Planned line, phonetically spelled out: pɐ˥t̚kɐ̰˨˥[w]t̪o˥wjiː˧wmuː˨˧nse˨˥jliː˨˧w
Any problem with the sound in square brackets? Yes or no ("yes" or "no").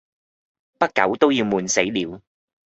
no